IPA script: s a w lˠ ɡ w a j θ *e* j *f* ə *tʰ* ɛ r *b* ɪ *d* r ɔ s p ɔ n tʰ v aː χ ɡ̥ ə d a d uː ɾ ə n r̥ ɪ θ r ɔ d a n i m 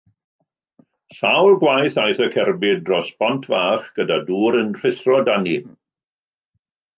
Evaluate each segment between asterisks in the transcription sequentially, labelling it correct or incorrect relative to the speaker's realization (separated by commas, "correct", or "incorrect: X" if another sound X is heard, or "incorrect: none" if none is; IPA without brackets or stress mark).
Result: incorrect: a, incorrect: θ, incorrect: kʰ, correct, correct